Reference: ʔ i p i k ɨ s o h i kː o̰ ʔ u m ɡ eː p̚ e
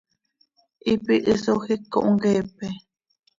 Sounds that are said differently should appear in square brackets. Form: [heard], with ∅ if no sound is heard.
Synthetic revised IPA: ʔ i p i [ʔ] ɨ s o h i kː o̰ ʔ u [ŋ] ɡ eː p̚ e